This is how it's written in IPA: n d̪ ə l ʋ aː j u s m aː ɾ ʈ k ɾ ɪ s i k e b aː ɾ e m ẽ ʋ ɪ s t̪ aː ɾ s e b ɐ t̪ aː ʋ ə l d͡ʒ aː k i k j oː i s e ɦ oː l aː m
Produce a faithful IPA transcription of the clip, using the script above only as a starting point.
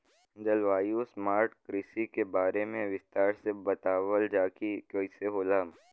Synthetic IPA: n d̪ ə l ʋ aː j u s m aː ɾ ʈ k ɾ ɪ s i k e b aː ɾ e m ẽ ʋ ɪ s t̪ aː ɾ s e b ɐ t̪ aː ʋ ə l d͡ʒ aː k i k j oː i s e ɦ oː l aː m